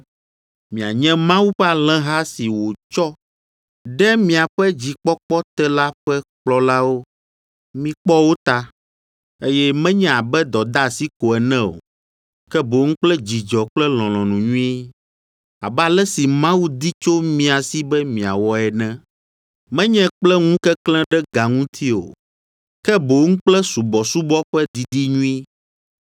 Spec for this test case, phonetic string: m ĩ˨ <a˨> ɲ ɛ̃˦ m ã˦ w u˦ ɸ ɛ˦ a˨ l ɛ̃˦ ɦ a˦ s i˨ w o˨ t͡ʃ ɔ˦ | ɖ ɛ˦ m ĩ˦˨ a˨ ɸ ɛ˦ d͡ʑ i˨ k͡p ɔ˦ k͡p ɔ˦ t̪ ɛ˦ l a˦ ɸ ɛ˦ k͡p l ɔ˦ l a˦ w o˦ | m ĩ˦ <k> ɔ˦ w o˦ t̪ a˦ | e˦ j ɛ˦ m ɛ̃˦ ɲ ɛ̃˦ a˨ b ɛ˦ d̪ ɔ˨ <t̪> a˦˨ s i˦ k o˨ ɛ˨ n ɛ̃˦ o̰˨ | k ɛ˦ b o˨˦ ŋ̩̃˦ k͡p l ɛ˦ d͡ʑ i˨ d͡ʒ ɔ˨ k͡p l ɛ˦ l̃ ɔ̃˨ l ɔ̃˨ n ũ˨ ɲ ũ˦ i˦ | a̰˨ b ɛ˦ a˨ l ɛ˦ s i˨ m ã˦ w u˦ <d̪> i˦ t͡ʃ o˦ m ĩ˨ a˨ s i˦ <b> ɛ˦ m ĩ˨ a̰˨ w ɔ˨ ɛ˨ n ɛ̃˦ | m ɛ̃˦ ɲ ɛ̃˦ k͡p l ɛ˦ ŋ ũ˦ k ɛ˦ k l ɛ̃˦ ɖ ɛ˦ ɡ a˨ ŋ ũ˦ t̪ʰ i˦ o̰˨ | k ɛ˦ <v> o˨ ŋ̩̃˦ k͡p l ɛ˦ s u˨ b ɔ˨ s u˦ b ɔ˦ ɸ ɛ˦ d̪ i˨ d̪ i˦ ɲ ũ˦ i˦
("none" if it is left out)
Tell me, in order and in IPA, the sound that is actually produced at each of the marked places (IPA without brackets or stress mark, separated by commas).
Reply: a˨, k͡p, d̪, d̪, b, b